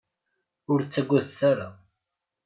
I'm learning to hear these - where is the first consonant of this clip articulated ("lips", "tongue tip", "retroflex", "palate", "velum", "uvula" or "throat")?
tongue tip